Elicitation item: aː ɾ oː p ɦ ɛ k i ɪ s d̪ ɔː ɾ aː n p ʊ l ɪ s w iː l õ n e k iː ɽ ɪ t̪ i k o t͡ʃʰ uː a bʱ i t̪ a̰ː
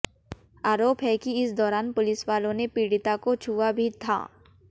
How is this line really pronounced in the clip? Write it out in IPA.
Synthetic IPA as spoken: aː ɾ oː p ɦ ɛ k i ɪ s d̪ ɔː ɾ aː n p ʊ l ɪ s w aː l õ n e p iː ɽ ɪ t̪ a k o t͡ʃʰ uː a bʱ i t̪ʰ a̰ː